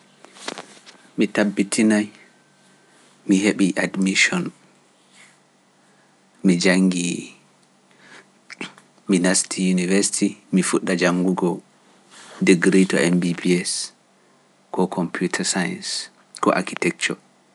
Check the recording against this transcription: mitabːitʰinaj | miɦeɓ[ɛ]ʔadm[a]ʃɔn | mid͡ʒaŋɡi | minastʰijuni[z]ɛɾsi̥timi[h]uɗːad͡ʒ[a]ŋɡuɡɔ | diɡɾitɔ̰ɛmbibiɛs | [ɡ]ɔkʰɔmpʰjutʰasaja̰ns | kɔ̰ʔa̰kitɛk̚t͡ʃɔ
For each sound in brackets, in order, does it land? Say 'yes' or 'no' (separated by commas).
no, no, no, no, yes, no